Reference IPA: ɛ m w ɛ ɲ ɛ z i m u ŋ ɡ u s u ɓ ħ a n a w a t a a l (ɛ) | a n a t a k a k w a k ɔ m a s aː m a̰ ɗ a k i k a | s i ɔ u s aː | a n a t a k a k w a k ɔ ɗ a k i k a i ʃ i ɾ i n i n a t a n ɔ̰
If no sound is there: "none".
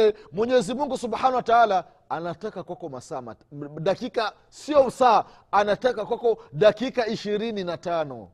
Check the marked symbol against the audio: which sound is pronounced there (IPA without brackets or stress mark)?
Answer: a